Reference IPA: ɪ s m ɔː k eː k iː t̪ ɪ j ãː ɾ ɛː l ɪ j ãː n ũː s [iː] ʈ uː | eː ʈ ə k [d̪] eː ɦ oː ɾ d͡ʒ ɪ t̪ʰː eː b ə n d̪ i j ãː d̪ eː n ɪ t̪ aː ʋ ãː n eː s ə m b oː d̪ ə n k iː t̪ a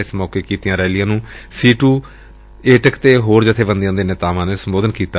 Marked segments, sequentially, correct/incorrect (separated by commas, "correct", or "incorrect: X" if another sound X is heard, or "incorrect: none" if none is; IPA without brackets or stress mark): correct, incorrect: t̪